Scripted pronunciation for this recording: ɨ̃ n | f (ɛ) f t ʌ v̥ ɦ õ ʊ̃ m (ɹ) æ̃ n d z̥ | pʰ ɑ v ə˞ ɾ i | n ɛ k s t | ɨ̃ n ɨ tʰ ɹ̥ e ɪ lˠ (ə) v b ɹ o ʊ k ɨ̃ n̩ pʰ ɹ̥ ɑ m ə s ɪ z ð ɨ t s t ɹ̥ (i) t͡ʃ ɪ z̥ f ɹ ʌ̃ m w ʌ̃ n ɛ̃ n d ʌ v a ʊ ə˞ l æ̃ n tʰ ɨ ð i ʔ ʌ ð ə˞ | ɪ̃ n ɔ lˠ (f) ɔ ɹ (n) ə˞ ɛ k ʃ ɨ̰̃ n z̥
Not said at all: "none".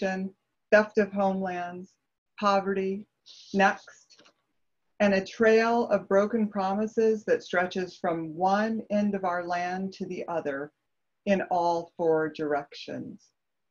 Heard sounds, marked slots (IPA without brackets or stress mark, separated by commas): ɛ, l, ʌ, ɛ, f, d